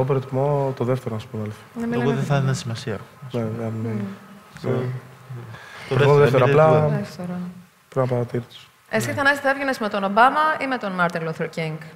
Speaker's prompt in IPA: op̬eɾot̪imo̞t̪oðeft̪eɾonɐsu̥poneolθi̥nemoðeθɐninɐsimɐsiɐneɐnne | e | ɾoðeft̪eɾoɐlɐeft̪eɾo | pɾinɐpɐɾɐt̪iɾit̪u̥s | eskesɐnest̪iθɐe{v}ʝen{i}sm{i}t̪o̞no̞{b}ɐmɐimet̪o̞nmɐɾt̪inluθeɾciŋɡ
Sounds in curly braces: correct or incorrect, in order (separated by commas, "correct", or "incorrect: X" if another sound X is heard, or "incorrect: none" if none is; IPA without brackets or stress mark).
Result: correct, incorrect: e, incorrect: e, correct